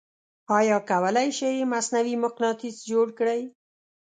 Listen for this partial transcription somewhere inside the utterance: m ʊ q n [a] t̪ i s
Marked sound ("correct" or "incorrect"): incorrect